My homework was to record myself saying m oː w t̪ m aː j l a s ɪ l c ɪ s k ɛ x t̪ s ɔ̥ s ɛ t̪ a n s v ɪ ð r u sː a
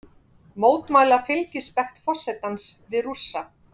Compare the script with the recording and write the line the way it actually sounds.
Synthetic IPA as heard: m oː w t̪ m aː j l a f ɪ l c ɪ s p ɛ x t̪ f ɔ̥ s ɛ t̪ a n s v ɪ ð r u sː a